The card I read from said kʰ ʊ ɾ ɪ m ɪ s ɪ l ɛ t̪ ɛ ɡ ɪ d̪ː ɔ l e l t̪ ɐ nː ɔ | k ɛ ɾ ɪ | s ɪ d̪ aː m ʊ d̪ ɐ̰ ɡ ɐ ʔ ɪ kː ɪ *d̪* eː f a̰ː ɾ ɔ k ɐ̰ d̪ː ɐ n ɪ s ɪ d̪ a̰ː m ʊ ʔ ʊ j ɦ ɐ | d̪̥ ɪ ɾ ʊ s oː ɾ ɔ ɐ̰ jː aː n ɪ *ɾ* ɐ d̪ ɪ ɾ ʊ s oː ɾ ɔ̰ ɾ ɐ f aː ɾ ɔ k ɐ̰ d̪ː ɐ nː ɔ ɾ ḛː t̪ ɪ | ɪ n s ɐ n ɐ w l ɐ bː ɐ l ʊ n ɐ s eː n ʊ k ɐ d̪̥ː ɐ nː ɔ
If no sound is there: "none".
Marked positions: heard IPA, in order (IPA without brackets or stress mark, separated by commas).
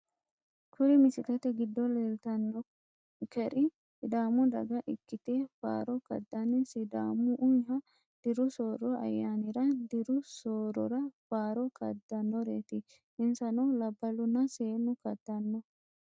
t̪, ɾ